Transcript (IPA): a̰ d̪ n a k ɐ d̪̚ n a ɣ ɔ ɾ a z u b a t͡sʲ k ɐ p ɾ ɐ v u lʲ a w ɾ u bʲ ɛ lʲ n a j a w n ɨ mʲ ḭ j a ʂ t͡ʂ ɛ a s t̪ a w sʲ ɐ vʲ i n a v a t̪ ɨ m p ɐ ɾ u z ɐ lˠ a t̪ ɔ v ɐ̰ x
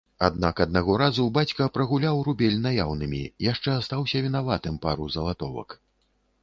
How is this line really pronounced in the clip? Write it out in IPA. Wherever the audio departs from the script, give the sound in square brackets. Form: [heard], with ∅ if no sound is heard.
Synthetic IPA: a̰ d̪ n a k ɐ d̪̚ n a ɣ ɔ ɾ a z u b a t͡sʲ k ɐ p ɾ ɐ [ɣ] u lʲ a w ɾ u bʲ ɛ lʲ n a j a w n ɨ mʲ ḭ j a ʂ t͡ʂ ɛ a s t̪ a w sʲ ɐ vʲ i n a v a t̪ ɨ m p [a] ɾ u z ɐ lˠ a t̪ ɔ v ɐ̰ [k]